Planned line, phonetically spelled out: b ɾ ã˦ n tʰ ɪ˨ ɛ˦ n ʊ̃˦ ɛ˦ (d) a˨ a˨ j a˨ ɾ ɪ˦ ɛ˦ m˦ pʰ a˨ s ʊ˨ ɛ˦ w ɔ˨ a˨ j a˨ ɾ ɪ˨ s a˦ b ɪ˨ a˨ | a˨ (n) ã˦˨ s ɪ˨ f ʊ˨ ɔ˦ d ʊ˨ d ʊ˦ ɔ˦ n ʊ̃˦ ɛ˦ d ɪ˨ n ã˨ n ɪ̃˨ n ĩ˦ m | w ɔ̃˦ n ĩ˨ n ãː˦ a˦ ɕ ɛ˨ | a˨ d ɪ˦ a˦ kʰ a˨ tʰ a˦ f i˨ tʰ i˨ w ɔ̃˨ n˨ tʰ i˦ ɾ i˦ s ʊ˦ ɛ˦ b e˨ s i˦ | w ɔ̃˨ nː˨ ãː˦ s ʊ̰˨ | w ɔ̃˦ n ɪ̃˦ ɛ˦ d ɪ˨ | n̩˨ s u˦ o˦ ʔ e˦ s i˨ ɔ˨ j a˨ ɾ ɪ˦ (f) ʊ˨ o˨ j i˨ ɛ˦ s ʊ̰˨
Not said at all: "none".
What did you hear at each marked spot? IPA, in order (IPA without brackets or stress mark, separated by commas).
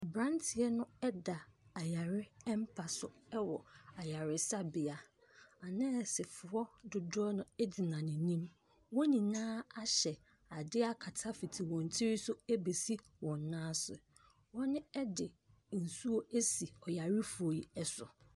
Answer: d, n, f